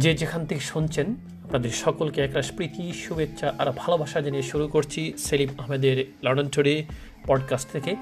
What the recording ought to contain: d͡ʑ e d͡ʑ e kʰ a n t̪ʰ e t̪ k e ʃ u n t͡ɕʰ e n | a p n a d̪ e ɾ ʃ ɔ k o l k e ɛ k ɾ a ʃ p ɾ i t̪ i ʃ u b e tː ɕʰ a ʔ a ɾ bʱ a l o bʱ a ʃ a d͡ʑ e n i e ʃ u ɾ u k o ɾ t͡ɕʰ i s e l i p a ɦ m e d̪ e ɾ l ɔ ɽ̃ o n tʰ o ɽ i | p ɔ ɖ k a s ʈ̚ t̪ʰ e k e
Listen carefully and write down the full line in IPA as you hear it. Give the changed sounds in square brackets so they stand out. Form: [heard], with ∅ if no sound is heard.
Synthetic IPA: d͡ʑ e d͡ʑ e kʰ a n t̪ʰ e [∅] k e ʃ u n t͡ɕʰ e n | a p n a d̪ e ɾ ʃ ɔ k o l k e ɛ k ɾ a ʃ p ɾ i t̪ i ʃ u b e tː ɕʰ a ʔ a ɾ bʱ a l o bʱ a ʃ a d͡ʑ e n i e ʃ u ɾ u k o ɾ t͡ɕʰ i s e l i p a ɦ m e d̪ e ɾ l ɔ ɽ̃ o n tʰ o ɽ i | p ɔ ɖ k a s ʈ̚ t̪ʰ e k e